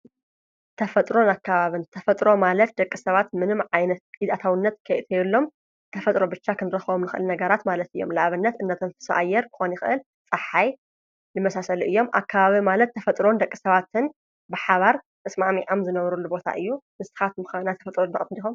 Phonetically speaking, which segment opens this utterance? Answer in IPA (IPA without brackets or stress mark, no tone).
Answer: t̪ʰ